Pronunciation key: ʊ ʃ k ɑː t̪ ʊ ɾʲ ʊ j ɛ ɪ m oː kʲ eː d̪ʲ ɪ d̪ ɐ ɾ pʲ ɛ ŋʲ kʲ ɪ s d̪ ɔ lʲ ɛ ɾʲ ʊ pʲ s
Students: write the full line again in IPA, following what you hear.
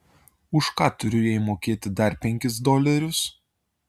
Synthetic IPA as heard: ʊ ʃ k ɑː t̪ ʊ ɾʲ ʊ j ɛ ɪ m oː kʲ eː t̪ʲ ɪ d̪ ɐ ɾ pʲ ɛ ŋʲ kʲ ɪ s d̪ ɔ lʲ ɛ ɾʲ ʊ s